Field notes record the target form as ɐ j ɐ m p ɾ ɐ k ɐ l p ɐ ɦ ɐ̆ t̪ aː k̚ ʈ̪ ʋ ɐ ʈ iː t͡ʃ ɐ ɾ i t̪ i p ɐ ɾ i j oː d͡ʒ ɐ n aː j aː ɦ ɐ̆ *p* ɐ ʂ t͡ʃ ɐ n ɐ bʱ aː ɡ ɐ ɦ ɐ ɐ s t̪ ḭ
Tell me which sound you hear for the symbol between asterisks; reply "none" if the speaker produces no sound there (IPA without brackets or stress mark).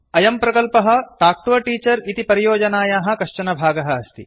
k